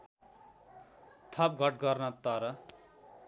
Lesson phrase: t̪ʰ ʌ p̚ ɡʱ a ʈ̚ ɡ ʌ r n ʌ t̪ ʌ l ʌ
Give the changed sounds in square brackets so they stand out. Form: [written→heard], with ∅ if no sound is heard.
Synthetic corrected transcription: t̪ʰ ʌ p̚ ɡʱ [a→ʌ] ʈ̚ ɡ ʌ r n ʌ t̪ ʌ [l→ɾ] ʌ